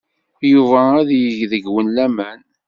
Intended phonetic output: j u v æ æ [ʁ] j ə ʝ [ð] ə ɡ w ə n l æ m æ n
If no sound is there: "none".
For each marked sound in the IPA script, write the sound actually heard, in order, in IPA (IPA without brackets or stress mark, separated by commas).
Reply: ð, ð